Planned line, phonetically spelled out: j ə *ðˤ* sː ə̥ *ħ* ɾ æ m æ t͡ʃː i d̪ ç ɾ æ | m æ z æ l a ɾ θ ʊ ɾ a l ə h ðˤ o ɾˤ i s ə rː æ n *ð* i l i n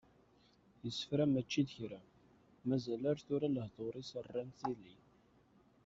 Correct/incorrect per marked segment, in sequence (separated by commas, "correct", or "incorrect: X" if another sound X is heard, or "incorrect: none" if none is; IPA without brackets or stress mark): incorrect: none, incorrect: f, incorrect: θ